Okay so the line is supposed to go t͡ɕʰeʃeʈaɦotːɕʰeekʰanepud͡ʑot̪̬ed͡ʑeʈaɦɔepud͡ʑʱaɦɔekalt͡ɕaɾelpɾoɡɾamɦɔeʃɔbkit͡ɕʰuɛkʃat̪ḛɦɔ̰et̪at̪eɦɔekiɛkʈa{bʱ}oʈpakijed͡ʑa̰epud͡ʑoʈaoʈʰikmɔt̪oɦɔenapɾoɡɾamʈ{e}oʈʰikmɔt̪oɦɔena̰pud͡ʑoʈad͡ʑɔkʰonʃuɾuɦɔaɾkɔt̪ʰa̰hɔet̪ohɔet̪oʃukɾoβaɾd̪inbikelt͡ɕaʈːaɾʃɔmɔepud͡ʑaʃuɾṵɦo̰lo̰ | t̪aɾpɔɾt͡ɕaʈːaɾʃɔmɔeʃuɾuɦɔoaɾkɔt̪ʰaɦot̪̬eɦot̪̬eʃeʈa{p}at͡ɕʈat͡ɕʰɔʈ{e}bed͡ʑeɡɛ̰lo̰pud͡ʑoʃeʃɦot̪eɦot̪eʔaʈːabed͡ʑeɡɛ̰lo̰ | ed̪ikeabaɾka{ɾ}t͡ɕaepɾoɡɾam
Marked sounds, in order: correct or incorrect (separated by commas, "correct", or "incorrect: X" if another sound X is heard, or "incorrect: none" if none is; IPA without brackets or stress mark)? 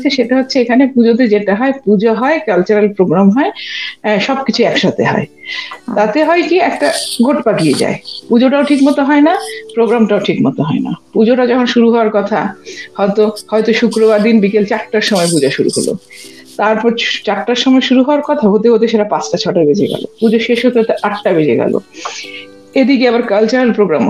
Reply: incorrect: ɡʱ, incorrect: a, correct, incorrect: a, incorrect: l